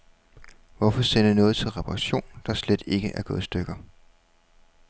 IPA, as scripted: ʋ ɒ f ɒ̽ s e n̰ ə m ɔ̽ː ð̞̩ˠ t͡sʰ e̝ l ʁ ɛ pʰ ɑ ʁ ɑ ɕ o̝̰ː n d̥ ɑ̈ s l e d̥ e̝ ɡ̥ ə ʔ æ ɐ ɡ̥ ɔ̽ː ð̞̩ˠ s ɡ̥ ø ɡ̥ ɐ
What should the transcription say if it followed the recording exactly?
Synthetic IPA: ʋ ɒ f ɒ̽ s e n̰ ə n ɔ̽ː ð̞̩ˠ t͡sʰ e̝ l ʁ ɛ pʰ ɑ ʁ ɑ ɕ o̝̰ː n d̥ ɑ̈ s l e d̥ e̝ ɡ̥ ə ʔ æ ɐ ɡ̥ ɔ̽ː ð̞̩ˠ s d̥ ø ɡ̥ ɐ